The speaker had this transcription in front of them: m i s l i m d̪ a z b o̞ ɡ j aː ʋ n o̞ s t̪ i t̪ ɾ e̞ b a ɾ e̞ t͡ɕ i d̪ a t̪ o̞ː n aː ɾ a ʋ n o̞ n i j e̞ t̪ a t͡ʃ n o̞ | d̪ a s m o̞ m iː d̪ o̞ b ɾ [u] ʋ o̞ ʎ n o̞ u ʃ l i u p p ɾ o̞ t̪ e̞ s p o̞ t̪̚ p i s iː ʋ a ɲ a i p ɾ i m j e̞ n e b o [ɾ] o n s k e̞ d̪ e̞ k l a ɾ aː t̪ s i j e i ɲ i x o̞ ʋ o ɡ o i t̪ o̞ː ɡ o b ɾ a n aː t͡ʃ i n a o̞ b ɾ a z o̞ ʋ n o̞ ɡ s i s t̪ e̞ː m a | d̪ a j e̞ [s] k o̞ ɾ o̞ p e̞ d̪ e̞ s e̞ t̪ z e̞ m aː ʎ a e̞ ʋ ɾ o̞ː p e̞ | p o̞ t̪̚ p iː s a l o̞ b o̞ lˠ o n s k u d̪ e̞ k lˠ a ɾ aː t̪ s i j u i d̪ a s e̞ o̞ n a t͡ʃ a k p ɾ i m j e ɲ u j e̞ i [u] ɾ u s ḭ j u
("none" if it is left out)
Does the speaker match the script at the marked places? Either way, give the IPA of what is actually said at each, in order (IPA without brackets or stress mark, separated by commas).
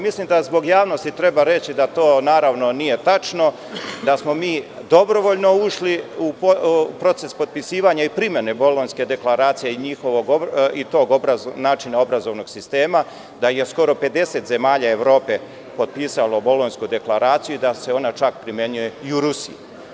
o, l, s, u